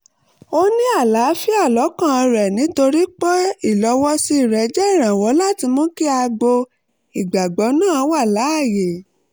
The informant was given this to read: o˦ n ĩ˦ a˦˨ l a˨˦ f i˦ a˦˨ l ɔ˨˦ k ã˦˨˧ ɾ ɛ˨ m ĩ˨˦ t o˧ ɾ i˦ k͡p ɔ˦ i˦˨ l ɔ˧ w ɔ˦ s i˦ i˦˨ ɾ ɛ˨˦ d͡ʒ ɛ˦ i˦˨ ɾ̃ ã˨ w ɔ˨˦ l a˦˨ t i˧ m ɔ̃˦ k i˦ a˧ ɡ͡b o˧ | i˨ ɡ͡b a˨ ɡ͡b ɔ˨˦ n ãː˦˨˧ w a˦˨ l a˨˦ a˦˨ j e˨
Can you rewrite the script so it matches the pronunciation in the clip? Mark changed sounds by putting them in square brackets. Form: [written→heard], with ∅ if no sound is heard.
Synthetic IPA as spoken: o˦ n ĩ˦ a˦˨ l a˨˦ f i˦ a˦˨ l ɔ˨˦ k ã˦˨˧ ɾ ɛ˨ [m→n] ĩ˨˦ t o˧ ɾ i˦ k͡p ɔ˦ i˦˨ l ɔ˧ w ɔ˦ s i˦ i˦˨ ɾ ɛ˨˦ d͡ʒ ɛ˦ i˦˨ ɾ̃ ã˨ w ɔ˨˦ l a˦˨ t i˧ m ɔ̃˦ k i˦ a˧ ɡ͡b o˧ | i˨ ɡ͡b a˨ ɡ͡b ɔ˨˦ n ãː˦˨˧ w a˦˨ l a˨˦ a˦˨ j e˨